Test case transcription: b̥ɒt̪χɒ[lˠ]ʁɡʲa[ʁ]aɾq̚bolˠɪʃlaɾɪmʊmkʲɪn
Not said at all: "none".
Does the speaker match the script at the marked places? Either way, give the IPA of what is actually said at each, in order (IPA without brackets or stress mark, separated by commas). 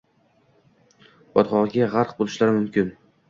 none, ʁ